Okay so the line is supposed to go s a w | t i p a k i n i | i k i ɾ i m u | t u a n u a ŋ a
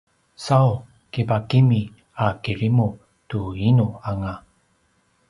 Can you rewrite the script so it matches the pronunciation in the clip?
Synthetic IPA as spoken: s a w | k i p a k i m i | a k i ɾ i m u | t u i n u a ŋ a